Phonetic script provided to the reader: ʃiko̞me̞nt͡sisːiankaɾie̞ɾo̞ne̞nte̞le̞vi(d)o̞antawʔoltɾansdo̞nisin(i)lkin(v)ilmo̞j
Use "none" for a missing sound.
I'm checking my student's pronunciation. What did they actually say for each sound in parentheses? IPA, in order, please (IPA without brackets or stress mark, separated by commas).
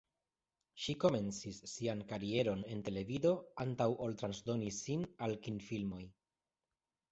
d, a, f